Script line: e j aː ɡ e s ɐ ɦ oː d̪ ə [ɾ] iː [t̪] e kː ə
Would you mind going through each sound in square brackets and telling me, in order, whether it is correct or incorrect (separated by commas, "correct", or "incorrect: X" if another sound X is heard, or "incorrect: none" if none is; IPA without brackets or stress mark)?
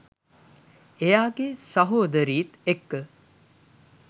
correct, correct